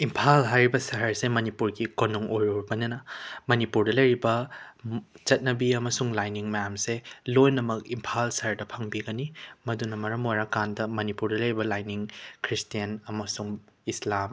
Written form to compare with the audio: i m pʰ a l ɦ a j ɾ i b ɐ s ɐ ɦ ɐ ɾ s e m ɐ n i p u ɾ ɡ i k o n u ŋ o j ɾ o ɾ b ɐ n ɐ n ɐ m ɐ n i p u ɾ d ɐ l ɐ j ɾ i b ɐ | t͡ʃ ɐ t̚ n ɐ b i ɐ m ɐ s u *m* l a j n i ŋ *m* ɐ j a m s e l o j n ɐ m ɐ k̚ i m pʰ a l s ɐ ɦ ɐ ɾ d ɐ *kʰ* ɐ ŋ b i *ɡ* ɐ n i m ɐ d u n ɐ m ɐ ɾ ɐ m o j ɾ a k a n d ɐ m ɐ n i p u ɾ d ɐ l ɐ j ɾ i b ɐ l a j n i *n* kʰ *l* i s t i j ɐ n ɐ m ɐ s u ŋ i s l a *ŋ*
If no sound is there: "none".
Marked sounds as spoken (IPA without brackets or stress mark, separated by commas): ŋ, m, pʰ, ɡ, ŋ, ɾ, m